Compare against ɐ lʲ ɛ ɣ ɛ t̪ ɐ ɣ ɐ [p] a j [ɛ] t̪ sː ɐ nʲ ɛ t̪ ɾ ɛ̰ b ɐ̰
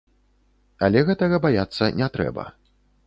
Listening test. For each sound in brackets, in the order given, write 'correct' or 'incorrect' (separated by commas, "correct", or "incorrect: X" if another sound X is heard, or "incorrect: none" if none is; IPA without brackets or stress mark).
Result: incorrect: b, incorrect: a